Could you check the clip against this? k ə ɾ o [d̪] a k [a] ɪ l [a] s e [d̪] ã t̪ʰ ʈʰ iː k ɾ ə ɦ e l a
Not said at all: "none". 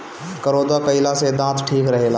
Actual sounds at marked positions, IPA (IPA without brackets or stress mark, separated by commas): d̪, ə, a, d̪